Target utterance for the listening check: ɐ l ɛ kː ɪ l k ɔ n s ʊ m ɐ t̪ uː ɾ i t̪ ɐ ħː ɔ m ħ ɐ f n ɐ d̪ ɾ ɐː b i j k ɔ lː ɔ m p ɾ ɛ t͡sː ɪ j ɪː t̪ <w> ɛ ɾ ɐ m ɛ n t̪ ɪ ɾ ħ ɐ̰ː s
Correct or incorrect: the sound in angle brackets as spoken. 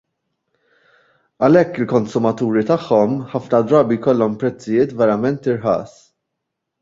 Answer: incorrect: v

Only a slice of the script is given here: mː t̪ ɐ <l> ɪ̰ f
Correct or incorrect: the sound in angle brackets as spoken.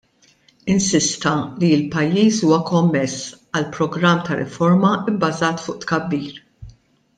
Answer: incorrect: ɾ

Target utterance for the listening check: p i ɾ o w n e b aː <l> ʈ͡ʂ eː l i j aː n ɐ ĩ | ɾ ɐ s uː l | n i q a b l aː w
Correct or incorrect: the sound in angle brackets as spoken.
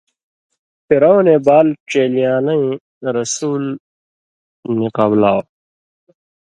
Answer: correct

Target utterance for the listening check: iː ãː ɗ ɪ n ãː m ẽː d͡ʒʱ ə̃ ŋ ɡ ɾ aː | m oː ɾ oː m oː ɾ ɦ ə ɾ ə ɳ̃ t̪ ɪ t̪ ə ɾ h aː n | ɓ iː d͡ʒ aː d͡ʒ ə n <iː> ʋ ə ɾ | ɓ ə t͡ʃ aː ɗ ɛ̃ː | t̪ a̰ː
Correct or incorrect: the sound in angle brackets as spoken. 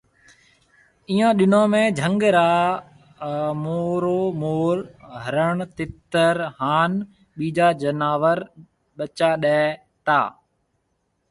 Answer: incorrect: aː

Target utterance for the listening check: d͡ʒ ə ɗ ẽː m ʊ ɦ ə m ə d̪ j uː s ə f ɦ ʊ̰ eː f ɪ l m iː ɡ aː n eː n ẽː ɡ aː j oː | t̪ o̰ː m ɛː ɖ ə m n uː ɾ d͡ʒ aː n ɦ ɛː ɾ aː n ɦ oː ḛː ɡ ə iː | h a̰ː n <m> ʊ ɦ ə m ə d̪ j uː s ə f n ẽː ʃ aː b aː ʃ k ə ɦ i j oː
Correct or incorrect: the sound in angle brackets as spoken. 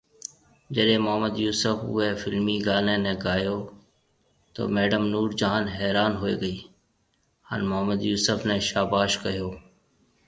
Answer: correct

